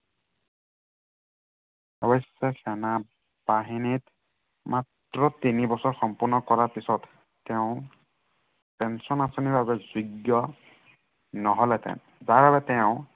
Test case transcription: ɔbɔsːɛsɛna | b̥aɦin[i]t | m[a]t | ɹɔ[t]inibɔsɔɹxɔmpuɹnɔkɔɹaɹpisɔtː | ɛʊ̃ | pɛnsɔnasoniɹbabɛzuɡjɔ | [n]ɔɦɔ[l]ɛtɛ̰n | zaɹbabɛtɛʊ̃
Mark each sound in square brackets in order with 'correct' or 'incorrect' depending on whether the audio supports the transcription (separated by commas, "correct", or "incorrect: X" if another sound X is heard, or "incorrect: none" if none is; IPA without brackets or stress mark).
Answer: correct, correct, correct, correct, correct